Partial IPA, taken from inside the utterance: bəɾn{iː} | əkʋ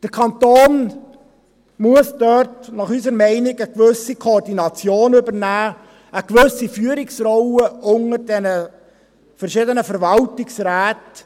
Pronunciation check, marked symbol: incorrect: æː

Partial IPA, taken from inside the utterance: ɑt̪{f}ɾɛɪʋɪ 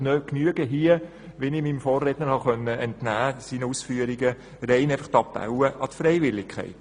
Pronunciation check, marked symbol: correct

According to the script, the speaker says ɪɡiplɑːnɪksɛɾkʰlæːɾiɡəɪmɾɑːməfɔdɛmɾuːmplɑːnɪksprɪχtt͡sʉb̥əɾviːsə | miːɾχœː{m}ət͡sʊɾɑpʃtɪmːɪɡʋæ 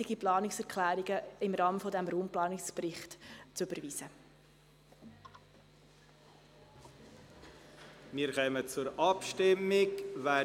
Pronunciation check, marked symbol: correct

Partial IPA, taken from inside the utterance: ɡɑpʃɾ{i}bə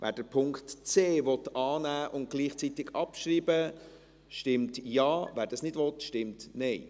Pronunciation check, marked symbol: incorrect: iː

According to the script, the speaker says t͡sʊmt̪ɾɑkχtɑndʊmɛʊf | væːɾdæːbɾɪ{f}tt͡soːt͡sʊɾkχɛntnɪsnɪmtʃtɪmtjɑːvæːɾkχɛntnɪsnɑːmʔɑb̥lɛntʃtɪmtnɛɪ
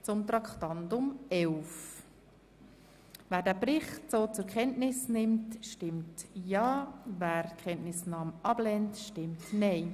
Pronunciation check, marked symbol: incorrect: χ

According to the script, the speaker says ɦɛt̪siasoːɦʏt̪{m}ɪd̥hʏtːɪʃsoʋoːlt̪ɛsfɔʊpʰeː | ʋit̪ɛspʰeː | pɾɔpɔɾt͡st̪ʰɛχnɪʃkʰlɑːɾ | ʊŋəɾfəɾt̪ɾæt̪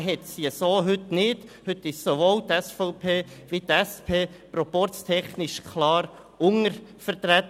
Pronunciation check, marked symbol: incorrect: n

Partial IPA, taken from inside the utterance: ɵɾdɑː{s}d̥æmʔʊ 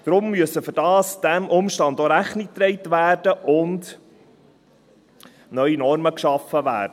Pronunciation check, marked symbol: correct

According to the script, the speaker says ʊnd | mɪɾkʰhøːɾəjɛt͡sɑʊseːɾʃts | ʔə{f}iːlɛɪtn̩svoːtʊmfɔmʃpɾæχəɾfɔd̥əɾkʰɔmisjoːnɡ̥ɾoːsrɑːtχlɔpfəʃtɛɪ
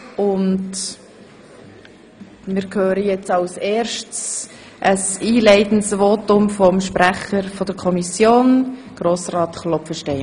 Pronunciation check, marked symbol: incorrect: s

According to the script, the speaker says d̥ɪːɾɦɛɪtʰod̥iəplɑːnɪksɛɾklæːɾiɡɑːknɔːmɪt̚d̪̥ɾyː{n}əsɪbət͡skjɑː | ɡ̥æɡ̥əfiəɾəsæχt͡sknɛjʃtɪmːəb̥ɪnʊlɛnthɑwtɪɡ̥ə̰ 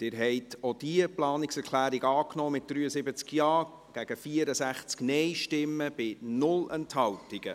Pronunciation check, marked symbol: incorrect: none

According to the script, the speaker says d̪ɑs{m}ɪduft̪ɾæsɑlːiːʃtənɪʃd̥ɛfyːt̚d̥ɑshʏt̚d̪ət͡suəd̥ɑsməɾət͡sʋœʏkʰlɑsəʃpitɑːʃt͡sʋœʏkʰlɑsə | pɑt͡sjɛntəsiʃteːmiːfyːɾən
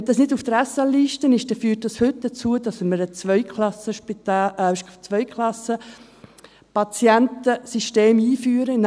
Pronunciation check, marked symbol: incorrect: n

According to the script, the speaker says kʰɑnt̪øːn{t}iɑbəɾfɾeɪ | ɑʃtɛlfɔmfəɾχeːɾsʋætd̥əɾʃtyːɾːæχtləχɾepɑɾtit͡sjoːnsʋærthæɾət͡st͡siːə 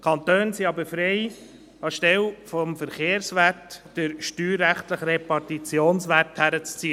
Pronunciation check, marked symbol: incorrect: s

